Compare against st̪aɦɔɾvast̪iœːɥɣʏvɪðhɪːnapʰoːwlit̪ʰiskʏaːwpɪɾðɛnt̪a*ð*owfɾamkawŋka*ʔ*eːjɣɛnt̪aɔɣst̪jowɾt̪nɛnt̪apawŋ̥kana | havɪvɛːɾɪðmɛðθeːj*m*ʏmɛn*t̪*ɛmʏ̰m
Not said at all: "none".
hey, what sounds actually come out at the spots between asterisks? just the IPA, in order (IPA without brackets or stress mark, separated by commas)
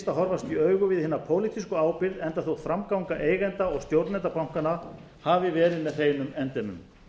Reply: θ, ʔ, n, t̪